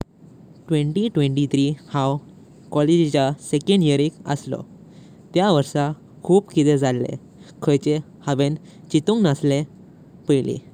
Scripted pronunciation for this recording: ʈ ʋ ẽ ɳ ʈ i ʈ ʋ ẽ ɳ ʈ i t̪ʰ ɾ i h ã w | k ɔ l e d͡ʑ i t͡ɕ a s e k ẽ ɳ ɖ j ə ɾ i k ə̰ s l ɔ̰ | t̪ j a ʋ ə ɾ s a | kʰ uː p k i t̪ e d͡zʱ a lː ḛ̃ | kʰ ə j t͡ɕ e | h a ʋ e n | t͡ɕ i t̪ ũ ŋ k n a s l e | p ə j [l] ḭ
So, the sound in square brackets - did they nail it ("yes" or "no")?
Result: yes